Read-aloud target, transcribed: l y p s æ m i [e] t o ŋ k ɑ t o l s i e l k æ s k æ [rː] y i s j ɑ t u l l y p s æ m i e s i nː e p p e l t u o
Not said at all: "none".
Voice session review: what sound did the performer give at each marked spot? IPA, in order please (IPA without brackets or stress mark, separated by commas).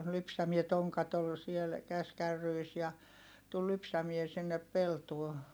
e, rː